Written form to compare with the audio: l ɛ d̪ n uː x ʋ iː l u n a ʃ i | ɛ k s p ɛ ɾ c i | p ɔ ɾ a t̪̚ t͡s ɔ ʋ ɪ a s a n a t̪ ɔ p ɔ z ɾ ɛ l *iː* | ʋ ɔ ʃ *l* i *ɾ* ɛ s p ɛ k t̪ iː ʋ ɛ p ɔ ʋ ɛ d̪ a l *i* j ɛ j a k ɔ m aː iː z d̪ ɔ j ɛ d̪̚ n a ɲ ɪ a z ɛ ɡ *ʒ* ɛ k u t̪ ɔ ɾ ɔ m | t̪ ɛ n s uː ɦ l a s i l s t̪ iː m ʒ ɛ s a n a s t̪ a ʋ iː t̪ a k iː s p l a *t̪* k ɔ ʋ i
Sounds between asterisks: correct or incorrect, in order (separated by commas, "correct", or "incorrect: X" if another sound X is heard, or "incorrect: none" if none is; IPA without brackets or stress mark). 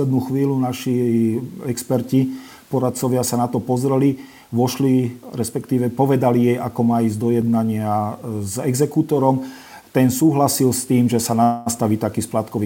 incorrect: i, correct, correct, correct, incorrect: z, correct